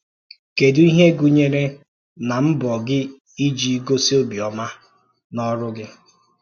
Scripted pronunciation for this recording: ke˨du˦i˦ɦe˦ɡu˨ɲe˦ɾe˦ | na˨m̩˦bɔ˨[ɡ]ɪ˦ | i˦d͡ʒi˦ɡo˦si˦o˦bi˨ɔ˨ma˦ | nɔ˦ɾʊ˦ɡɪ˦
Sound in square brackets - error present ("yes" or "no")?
no